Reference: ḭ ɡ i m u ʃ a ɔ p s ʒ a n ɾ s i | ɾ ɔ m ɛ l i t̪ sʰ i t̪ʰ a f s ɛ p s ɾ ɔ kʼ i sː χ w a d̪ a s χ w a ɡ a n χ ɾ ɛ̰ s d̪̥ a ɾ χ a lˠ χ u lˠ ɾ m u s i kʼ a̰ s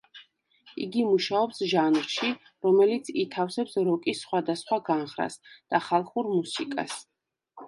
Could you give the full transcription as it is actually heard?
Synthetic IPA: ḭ ɡ i m u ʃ a ɔ p s ʒ a n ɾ ʃ i | ɾ ɔ m ɛ l i t̪ sʰ i t̪ʰ a f s ɛ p s ɾ ɔ kʼ i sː χ w a d̪ a s χ w a ɡ a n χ ɾ a̰ s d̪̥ a χ a lˠ χ u ɾ m u s i kʼ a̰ s